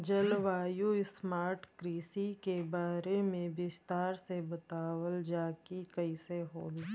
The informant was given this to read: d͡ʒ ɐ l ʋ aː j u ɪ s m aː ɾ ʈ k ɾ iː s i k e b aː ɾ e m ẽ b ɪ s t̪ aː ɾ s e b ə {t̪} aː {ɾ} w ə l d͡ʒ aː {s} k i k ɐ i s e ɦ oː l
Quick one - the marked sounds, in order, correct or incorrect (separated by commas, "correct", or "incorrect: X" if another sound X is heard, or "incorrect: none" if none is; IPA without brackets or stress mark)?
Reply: correct, incorrect: none, incorrect: none